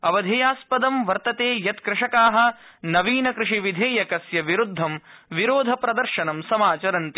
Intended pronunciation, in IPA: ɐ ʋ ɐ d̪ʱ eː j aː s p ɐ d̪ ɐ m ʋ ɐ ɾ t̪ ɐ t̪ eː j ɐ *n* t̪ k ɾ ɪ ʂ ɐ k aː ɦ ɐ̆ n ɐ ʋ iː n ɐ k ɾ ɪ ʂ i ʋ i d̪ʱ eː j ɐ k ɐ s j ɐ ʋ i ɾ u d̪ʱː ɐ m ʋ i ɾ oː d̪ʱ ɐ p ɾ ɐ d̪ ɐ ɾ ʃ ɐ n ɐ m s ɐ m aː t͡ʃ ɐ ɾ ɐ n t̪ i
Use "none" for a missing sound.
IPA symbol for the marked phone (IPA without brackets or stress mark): none